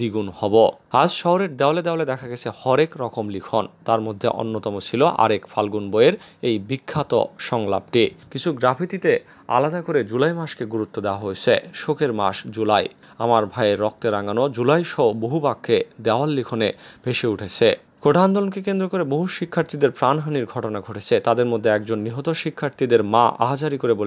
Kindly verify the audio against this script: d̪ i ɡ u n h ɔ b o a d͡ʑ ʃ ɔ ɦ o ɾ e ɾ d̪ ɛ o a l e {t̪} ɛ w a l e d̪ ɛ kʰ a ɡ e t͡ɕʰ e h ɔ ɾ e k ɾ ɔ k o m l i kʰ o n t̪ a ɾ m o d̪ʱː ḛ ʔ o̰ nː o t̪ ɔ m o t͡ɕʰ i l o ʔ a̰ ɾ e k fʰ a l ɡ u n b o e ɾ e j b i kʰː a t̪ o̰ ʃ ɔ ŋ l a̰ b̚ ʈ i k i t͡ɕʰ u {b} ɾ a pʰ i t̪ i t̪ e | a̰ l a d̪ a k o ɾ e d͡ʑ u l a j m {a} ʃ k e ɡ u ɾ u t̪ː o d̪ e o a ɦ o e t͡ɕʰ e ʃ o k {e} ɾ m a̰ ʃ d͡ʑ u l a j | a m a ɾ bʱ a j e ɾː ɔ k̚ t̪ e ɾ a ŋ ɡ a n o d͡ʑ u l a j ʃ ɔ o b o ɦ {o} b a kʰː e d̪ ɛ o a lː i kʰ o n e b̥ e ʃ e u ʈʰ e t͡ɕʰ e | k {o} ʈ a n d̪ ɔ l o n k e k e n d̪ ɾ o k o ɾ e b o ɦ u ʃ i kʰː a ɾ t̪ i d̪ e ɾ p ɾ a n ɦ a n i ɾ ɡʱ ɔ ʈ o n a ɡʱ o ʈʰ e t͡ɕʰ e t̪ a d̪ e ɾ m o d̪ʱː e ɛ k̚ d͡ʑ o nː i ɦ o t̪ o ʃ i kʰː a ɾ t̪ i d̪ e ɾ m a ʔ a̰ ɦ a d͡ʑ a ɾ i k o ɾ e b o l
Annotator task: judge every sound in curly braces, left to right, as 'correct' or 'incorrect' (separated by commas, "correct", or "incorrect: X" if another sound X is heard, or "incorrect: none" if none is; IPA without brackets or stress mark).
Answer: incorrect: d̪, incorrect: ɡ, correct, correct, incorrect: u, correct